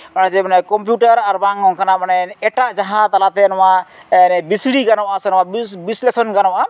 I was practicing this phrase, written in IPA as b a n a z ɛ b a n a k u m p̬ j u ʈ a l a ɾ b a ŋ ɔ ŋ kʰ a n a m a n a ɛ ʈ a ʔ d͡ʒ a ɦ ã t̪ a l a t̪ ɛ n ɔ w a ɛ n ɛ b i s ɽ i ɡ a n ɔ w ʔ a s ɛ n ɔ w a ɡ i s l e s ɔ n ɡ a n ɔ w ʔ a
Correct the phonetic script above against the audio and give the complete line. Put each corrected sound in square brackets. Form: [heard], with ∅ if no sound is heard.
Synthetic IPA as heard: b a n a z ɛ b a n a k [ɔ] m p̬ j u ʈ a [ɾ] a ɾ b a ŋ ɔ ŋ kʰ a n a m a n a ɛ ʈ a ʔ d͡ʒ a ɦ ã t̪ a l a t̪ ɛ n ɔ w a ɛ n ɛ b i s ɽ i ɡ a n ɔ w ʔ a s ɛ n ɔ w a [b] i s l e s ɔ n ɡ a n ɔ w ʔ a

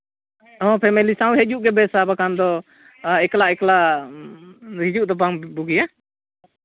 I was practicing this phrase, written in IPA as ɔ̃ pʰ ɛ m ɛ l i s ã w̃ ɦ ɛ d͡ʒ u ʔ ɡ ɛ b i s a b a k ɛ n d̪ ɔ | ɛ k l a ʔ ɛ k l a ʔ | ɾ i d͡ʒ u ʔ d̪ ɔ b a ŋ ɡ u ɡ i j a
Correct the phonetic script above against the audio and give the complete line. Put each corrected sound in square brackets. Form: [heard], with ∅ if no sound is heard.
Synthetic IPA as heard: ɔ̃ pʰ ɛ m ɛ l i s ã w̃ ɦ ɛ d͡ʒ u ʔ ɡ ɛ b [ɛ] s a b a k [a] n d̪ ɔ | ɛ k l a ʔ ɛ k l a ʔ | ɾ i d͡ʒ u ʔ d̪ ɔ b a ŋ [b] u ɡ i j a

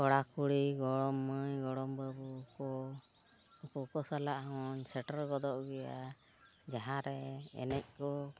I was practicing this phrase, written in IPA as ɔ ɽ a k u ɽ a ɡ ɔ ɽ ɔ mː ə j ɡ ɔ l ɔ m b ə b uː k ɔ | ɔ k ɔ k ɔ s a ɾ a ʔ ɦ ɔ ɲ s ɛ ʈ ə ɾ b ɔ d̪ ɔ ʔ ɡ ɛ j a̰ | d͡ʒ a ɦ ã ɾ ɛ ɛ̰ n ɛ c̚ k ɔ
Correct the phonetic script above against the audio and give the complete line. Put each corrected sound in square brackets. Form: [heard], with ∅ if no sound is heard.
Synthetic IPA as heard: ɔ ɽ a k u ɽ [i] ɡ ɔ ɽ ɔ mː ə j ɡ ɔ [ɽ] ɔ m b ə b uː k ɔ | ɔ k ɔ k ɔ s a [l] a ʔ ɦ ɔ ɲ s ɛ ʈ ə ɾ [ɡ] ɔ d̪ ɔ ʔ ɡ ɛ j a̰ | d͡ʒ a ɦ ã ɾ ɛ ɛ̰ n ɛ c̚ k ɔ

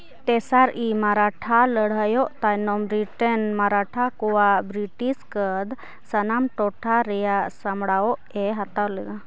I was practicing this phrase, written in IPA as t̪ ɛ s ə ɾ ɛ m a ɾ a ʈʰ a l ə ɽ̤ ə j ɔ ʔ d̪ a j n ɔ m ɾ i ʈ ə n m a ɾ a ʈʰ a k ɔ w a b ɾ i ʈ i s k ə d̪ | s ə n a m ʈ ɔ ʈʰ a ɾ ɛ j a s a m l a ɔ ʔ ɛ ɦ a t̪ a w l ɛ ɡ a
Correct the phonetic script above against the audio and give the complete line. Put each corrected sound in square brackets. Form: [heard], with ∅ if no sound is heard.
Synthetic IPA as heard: t̪ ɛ s [a] ɾ [i] m a ɾ a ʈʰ a l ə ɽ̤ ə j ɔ ʔ [t̪] a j n ɔ m ɾ i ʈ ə n m a ɾ a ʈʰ a k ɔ w a b ɾ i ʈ i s k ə d̪ | s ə n a m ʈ ɔ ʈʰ a ɾ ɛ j a s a m [ɽ] a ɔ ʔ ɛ ɦ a t̪ a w l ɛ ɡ a

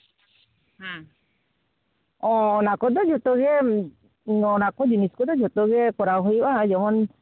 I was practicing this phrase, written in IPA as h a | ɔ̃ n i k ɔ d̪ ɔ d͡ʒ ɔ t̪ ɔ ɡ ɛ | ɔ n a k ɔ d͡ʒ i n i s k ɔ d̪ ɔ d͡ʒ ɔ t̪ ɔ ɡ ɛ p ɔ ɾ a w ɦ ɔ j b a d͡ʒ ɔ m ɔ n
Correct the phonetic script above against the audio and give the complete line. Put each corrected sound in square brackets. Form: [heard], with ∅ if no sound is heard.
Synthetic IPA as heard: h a | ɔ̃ n [a] k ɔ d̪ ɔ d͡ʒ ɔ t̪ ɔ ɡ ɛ | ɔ n a k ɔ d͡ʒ i n i s k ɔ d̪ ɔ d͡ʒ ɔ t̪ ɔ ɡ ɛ [k] ɔ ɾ a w ɦ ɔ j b a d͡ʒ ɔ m ɔ n

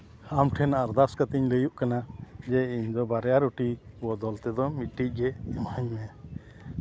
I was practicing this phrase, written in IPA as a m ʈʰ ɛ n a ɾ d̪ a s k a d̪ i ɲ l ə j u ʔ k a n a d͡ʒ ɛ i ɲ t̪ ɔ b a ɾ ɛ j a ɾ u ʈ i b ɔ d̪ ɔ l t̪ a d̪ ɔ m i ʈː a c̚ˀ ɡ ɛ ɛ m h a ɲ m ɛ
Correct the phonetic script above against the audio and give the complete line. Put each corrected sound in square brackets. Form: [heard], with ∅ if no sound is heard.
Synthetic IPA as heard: a m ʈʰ ɛ n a ɾ d̪ a s k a [t̪] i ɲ l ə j u ʔ k a n a d͡ʒ ɛ i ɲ [d̪] ɔ b a ɾ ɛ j a ɾ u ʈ i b ɔ d̪ ɔ l t̪ [ɛ] d̪ ɔ m i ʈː [i] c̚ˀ ɡ ɛ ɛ m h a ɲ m ɛ

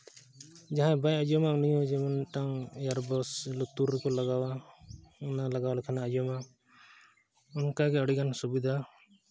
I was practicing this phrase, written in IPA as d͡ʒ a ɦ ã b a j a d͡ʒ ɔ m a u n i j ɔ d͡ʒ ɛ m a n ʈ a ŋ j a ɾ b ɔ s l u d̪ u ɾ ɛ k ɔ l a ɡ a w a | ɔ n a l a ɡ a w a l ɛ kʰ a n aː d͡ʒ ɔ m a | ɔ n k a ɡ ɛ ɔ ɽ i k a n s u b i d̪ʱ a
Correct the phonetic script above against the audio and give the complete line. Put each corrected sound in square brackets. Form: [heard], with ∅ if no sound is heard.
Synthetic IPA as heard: d͡ʒ a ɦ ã b a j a d͡ʒ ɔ m a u n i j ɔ d͡ʒ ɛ m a n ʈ a ŋ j a ɾ b ɔ s l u [t̪] u ɾ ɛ k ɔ l a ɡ a w a | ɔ n a l a ɡ a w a l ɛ kʰ a n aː d͡ʒ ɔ m a | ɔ n k a ɡ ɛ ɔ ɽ i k a n s u b i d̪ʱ a

